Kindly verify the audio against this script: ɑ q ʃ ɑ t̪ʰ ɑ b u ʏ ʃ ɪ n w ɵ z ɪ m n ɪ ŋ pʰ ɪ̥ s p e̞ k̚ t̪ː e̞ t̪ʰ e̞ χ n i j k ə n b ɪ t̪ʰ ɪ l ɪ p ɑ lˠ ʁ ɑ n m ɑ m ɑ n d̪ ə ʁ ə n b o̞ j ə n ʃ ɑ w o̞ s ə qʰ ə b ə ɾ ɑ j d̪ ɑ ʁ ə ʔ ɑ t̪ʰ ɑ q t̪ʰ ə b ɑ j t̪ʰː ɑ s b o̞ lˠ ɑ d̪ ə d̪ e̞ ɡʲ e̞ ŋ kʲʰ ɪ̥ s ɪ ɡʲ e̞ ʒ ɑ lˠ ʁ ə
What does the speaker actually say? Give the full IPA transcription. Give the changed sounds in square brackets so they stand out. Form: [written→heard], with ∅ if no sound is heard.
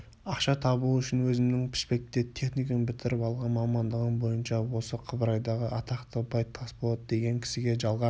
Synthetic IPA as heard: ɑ q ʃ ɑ t̪ʰ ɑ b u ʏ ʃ ɪ n w ɵ z ɪ m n ɪ ŋ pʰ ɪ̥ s p e̞ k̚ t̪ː e̞ t̪ʰ e̞ χ n i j k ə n b ɪ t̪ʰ ɪ [l→ɾ] ɪ p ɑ lˠ ʁ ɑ n m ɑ m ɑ n d̪ ə ʁ ə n b o̞ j ə n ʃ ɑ w o̞ s ə qʰ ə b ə ɾ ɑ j d̪ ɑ ʁ ə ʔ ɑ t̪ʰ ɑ q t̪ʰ ə b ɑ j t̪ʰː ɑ s b o̞ lˠ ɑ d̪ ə d̪ e̞ ɡʲ e̞ ŋ kʲʰ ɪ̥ s ɪ ɡʲ e̞ ʒ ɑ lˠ ʁ [ə→ɑ]